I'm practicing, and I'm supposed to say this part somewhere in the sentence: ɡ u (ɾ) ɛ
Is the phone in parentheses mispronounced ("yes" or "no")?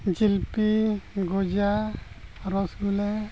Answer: yes